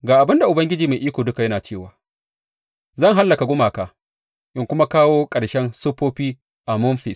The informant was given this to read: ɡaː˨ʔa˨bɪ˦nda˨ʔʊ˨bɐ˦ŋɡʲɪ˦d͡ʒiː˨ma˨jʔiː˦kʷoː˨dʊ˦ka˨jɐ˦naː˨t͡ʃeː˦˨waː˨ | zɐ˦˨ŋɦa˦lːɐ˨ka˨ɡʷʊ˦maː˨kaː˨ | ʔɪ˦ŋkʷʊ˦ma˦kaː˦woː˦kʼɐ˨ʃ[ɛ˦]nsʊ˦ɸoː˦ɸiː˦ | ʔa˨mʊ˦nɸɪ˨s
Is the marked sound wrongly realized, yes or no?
no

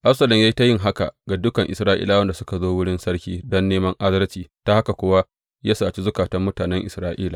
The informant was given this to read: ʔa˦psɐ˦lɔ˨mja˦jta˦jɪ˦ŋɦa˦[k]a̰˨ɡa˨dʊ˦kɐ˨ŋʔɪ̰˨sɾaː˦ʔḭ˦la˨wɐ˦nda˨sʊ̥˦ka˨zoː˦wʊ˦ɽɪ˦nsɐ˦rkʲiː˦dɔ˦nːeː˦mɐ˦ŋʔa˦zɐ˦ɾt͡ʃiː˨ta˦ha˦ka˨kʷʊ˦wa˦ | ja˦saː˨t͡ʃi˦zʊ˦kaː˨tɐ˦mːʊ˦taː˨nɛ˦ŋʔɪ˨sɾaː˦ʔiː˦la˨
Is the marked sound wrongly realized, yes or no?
no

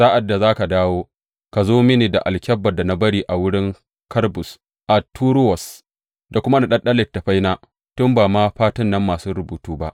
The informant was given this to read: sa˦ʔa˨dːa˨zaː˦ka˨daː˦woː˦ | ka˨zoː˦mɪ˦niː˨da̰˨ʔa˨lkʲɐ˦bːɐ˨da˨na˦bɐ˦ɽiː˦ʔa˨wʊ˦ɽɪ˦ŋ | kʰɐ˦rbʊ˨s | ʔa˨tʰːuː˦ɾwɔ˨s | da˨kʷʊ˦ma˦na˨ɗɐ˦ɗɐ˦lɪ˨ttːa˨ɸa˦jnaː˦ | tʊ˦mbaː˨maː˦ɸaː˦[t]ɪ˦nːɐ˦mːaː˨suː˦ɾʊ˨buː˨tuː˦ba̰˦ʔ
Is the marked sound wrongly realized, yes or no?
no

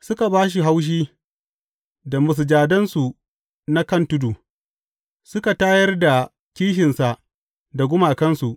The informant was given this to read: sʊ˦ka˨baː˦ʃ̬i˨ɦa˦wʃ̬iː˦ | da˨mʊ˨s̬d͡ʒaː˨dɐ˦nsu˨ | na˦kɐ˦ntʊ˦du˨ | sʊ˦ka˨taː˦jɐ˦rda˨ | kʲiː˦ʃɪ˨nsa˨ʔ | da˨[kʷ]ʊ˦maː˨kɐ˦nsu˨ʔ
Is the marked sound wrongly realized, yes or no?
yes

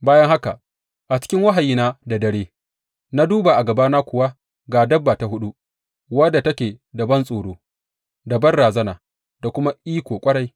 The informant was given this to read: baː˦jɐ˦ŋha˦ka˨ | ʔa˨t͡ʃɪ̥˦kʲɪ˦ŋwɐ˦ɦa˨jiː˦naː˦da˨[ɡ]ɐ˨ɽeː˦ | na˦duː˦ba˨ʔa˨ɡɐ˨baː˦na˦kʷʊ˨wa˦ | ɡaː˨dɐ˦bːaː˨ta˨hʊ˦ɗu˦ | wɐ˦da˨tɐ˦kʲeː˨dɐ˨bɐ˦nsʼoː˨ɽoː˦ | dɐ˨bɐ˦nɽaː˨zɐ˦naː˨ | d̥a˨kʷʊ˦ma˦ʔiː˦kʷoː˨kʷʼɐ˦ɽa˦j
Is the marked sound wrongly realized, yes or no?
yes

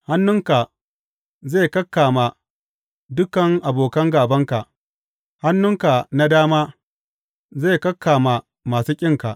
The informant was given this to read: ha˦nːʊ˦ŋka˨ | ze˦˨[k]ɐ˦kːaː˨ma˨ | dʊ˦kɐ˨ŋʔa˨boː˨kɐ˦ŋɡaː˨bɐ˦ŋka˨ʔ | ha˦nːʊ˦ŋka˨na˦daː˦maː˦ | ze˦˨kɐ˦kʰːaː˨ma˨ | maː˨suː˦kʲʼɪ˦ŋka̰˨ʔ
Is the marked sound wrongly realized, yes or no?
no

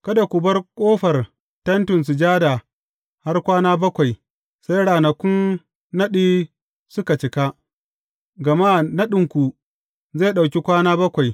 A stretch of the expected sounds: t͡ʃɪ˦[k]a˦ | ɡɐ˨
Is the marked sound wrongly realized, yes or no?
no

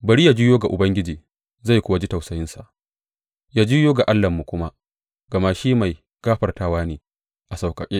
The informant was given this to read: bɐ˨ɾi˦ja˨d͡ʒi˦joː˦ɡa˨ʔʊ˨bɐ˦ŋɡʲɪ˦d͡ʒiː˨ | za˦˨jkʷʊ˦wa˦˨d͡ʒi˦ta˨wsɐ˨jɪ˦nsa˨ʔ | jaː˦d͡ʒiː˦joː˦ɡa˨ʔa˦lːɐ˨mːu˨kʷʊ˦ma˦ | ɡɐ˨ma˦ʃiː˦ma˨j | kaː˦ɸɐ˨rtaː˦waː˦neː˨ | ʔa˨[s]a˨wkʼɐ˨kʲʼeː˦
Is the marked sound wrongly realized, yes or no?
no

